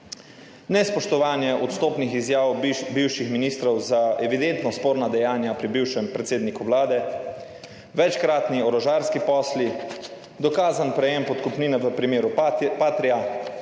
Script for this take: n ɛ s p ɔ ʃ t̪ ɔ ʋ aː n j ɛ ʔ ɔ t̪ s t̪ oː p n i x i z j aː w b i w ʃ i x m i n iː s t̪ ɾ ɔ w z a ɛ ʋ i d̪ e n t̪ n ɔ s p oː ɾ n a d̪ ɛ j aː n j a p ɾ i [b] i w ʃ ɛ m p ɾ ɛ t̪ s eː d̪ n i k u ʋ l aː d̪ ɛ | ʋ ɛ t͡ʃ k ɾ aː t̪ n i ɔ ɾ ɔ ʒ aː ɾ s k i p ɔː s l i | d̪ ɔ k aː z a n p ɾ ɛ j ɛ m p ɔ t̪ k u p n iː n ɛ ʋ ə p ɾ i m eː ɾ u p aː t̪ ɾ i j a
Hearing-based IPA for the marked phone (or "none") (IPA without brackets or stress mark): b